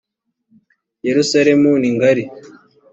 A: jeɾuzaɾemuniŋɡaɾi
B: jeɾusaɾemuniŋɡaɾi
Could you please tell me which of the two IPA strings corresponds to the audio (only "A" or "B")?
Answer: B